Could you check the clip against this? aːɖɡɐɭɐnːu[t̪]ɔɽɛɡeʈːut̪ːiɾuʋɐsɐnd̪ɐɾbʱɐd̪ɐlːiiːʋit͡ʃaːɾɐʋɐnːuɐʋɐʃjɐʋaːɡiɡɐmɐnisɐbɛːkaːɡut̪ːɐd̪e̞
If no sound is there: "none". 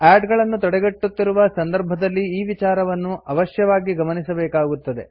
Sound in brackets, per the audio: t̪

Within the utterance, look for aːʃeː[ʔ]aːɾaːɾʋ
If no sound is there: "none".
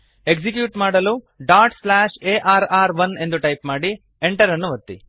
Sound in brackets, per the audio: ʔ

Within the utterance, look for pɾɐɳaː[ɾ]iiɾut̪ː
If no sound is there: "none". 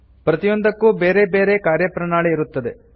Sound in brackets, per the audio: ɭ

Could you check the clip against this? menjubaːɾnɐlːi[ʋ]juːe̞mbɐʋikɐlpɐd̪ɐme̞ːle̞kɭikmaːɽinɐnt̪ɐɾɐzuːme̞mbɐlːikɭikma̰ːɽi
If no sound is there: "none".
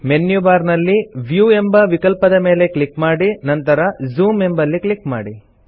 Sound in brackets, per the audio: ʋ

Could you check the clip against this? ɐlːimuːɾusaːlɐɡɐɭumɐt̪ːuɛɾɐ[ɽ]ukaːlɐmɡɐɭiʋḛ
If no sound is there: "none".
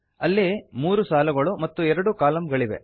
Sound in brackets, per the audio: ɽ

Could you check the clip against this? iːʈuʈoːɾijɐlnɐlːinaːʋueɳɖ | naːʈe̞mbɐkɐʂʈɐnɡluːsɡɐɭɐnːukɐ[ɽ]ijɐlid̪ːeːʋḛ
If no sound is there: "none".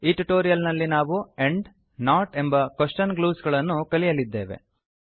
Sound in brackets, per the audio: l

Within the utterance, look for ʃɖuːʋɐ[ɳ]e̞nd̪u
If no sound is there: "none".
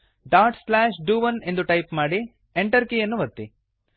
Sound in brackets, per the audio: n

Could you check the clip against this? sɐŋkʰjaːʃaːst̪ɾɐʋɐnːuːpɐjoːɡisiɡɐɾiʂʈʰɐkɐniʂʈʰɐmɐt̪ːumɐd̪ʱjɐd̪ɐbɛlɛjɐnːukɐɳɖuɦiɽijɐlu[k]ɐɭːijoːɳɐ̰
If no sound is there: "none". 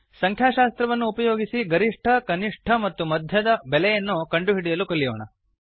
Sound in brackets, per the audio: k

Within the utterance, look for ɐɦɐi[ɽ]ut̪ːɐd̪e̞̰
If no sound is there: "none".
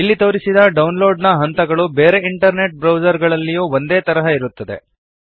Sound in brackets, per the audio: ɾ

